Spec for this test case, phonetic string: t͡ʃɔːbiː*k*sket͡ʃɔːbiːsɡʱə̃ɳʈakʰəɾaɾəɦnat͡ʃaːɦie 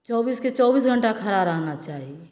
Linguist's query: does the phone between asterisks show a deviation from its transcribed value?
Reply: yes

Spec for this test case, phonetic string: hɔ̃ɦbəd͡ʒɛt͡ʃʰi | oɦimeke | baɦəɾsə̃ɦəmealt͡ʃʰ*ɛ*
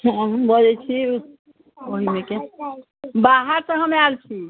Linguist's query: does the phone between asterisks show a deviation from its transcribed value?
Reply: yes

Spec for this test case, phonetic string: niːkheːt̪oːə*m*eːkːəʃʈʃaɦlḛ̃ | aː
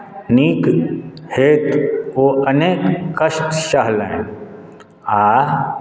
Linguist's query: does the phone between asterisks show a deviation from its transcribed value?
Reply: yes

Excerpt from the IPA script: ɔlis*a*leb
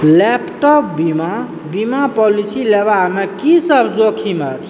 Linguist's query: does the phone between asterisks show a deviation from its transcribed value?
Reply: yes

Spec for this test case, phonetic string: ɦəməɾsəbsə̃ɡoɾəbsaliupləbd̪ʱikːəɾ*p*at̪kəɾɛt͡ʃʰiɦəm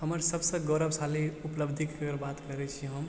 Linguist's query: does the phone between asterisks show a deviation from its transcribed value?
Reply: yes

